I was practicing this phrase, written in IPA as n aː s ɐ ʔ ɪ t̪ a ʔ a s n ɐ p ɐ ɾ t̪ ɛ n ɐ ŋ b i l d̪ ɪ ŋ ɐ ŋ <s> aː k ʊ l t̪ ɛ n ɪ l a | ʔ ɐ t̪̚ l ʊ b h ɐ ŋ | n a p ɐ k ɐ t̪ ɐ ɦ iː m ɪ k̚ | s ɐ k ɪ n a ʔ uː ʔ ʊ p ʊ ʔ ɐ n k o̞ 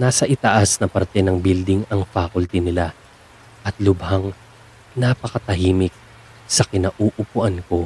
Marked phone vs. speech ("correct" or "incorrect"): incorrect